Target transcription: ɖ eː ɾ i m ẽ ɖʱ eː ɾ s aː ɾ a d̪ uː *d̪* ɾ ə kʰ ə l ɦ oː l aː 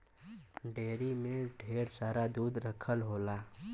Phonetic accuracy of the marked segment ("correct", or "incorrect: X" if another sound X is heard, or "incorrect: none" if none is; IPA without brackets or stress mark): correct